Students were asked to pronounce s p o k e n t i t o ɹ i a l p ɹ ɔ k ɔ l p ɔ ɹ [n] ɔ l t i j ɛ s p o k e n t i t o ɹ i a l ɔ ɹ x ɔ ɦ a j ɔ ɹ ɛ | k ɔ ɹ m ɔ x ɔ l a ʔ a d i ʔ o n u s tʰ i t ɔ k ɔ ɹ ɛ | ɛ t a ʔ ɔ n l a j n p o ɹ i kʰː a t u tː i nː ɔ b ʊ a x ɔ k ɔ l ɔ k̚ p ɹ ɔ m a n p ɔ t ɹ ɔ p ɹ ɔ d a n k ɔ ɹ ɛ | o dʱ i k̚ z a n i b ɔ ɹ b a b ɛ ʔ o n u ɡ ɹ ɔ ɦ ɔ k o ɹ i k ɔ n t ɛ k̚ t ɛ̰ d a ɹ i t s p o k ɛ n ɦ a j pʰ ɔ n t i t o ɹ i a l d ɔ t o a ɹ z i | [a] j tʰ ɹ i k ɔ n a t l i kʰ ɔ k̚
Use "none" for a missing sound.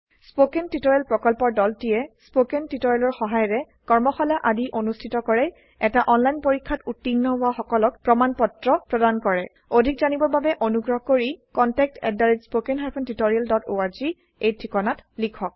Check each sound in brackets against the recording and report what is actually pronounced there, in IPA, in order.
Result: d, e

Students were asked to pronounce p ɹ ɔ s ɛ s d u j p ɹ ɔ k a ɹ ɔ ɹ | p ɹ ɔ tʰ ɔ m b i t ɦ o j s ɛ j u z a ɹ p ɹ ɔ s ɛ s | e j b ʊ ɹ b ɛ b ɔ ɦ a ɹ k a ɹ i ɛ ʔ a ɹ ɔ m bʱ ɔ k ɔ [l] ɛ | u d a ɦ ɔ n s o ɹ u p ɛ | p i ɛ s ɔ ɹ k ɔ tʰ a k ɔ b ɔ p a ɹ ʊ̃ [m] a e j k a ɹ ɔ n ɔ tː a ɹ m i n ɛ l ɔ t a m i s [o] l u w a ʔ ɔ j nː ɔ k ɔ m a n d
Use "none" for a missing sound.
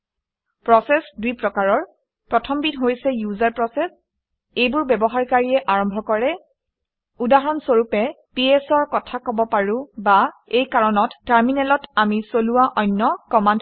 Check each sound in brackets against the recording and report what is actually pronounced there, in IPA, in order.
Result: ɹ, b, o

